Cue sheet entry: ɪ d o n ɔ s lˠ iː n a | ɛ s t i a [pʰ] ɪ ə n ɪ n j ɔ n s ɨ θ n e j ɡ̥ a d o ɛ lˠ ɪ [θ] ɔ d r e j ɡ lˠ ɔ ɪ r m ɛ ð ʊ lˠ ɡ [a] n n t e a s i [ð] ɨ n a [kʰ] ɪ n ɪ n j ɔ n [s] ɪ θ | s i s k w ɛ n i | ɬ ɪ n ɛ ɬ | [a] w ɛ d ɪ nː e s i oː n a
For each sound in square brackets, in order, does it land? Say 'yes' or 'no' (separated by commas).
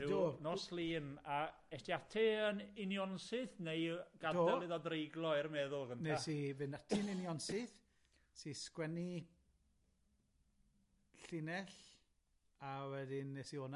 no, no, no, no, no, yes, yes